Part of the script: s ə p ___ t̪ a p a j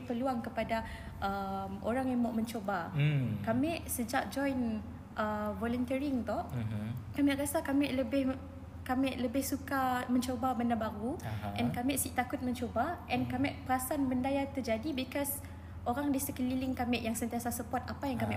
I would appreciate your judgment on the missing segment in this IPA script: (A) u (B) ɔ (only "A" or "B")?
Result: B